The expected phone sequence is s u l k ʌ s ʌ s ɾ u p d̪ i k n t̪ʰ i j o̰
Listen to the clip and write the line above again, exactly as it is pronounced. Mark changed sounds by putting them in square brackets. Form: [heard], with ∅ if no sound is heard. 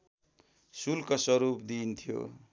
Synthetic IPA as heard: s u l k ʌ s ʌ [∅] ɾ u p d̪ i [∅] n t̪ʰ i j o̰